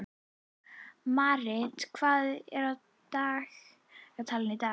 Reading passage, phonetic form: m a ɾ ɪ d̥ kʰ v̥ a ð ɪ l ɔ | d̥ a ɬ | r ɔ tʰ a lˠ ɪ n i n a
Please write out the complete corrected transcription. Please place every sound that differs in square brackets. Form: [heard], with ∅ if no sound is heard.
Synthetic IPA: m a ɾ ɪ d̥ kʰ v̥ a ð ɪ [ɾ] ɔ | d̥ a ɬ | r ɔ tʰ a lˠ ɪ n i [d] a